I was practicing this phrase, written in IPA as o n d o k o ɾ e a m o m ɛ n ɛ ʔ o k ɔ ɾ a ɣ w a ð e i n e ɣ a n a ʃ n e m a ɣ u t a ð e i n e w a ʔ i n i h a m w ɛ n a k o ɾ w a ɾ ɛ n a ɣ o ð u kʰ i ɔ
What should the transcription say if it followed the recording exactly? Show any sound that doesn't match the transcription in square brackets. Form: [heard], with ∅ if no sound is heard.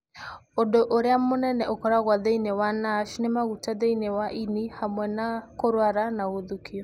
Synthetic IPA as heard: o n d o [ʔ] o ɾ e a m o [n] ɛ n ɛ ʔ o k ɔ ɾ a ɣ w a ð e i n e [w] a n a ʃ n e m a ɣ u t a ð e i n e w a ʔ i n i h a m w ɛ n a k o ɾ w a ɾ [a] n a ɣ o ð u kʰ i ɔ